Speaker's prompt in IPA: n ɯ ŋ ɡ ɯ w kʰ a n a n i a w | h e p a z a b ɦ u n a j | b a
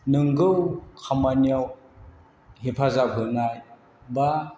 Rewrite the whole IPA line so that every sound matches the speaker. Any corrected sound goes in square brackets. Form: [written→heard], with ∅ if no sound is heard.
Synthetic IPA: n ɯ ŋ ɡ ɯ w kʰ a [n→m] a n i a w | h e [p→pʰ] a z a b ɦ [u→ɯ] n a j | b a